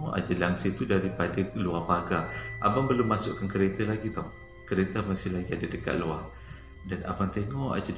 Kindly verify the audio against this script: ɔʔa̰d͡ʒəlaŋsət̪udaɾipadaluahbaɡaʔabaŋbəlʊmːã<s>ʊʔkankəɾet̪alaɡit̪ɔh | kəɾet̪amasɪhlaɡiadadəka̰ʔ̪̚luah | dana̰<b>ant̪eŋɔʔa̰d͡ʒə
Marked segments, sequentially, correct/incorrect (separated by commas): correct, correct